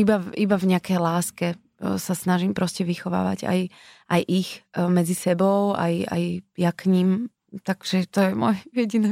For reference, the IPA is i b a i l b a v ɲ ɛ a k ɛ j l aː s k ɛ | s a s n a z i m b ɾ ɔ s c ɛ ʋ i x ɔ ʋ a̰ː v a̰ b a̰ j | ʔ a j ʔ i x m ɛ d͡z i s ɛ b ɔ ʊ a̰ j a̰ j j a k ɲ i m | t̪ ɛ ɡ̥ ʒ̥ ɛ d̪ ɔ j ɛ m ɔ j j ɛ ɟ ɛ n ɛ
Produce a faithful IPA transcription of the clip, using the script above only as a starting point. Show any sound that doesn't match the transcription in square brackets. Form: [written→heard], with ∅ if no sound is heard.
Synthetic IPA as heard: i b a i [l→∅] b a v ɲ ɛ a k ɛ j l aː s k ɛ | s a s n a [z→ʒ] i m [b→p] ɾ ɔ s c ɛ ʋ i x ɔ ʋ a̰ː [v→ʋ] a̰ [b→ɟ] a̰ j | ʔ a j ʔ i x m ɛ d͡z i s ɛ b ɔ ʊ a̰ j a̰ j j a k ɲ i m | t̪ [ɛ→a] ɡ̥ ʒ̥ ɛ [d̪→t̪] ɔ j ɛ m ɔ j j ɛ ɟ [ɛ→i] n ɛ